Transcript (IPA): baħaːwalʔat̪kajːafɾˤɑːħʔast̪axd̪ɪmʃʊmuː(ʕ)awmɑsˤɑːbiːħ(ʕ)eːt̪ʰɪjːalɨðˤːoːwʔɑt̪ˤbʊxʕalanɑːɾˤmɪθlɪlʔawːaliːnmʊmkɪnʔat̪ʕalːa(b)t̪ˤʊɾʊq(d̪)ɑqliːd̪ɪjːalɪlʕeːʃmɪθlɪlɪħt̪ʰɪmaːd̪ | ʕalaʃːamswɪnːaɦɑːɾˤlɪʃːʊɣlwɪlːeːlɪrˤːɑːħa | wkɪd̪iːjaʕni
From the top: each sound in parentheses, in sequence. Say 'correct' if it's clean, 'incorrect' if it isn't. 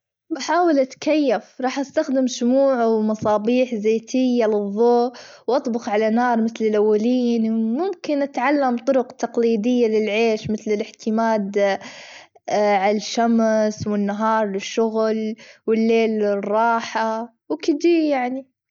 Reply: correct, incorrect, incorrect, incorrect

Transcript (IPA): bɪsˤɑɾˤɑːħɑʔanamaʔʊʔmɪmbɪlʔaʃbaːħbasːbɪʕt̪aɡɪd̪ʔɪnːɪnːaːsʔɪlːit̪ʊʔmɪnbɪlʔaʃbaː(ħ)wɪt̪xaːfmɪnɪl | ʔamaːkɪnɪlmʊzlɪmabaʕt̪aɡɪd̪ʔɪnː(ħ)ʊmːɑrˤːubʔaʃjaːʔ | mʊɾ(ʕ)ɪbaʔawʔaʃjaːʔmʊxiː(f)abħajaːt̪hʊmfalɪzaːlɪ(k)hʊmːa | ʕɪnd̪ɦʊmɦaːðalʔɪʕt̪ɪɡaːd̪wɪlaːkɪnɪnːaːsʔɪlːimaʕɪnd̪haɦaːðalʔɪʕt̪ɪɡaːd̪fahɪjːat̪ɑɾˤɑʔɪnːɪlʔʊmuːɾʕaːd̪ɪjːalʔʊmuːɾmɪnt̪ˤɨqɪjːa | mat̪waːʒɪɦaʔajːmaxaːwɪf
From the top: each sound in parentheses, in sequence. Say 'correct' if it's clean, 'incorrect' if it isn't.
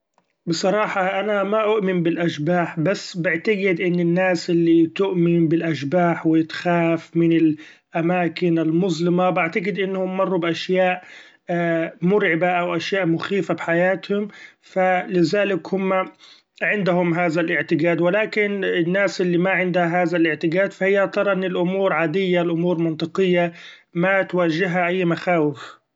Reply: correct, incorrect, correct, correct, correct

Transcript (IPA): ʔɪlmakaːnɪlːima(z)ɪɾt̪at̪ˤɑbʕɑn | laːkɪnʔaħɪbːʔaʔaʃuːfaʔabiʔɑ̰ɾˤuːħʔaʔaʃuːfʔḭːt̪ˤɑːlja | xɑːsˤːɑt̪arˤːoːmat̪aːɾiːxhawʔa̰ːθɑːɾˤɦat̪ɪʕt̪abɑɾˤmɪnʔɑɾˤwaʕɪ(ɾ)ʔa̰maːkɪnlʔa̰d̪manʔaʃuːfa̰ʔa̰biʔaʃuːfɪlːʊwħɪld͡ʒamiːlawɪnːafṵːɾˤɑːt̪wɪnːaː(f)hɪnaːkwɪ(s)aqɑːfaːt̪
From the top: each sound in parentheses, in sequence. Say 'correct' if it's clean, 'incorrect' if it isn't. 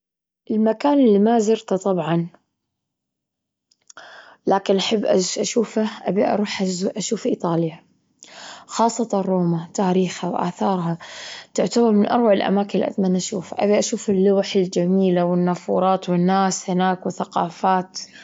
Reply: correct, incorrect, incorrect, incorrect

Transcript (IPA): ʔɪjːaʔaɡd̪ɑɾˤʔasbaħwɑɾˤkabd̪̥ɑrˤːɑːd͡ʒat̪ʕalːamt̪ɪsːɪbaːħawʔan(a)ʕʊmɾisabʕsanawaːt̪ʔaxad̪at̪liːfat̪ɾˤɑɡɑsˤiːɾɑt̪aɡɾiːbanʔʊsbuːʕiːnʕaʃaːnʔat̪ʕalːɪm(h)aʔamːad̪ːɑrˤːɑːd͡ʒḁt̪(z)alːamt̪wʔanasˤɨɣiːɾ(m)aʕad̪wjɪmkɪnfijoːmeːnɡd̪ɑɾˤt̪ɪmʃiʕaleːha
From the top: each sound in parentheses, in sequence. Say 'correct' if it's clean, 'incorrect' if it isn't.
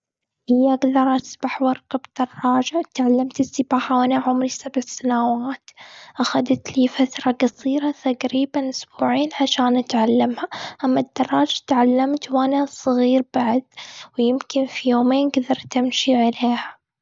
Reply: correct, correct, incorrect, incorrect

